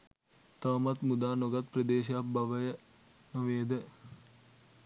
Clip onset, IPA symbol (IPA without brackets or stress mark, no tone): t̪